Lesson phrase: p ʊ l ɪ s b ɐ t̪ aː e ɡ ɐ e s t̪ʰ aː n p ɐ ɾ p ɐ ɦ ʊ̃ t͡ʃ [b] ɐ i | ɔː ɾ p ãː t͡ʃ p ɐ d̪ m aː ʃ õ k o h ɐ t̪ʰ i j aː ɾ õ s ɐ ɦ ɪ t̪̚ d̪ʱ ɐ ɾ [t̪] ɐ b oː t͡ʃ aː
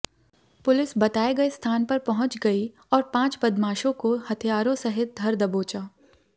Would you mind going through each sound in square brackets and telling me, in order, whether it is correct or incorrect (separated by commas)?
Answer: incorrect, incorrect